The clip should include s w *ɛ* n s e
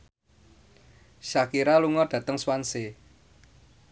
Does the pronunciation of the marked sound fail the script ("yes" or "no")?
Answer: yes